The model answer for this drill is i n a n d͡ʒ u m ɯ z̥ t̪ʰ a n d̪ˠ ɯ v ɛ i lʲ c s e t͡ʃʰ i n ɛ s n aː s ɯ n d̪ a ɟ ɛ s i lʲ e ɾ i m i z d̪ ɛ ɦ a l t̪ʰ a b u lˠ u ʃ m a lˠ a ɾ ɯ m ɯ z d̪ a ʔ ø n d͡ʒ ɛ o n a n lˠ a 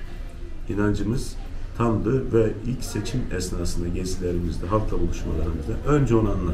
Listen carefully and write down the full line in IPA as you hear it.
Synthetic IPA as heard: i n a n d͡ʒ ɯ m ɯ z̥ t̪ʰ a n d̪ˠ ɯ v ɛ i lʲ c s e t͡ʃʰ i m ɛ s n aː s ɯ n d̪ a ɟ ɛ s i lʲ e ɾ i m i z d̪ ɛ ɦ a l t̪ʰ a b u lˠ u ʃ m a lˠ a ɾ ɯ m ɯ z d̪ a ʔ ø n d͡ʒ ɛ o n a n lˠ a